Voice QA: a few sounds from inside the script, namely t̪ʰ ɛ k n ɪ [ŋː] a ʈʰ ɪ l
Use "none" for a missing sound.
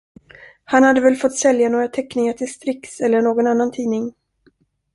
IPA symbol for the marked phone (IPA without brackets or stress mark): ŋ